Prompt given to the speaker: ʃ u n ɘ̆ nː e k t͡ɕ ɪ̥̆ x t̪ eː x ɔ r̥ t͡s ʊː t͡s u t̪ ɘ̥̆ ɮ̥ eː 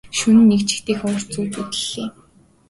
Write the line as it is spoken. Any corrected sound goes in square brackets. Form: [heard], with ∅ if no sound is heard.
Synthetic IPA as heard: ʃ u n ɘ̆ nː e k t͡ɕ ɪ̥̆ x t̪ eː x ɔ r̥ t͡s [uː] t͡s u t̪ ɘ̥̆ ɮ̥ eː